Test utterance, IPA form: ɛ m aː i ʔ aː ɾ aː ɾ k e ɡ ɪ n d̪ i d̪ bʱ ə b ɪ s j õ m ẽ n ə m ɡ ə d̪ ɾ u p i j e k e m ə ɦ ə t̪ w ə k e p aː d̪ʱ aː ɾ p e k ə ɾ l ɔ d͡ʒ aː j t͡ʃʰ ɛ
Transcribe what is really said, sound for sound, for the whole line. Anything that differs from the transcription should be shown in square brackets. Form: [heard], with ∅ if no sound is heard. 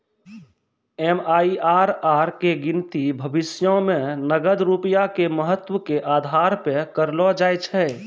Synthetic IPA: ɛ m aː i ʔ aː ɾ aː ɾ k e ɡ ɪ n [t̪] i [∅] bʱ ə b ɪ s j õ m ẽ n ə [∅] ɡ ə d̪ ɾ u p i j [a] k e m ə ɦ ə t̪ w ə k e [ʔ] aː d̪ʱ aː ɾ p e k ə ɾ l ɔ d͡ʒ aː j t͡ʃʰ ɛ